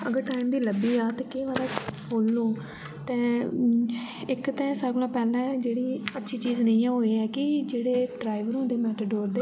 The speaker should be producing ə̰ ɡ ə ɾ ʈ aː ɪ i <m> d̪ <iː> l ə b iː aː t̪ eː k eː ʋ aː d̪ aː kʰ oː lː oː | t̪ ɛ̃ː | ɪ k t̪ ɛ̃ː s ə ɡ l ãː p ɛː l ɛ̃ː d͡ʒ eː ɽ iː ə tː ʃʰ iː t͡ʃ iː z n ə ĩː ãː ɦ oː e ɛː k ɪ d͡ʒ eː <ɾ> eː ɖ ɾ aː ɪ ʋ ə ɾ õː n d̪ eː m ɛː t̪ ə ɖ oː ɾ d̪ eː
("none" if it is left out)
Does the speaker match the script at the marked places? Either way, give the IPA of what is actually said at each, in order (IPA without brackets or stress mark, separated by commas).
m, iː, ɽ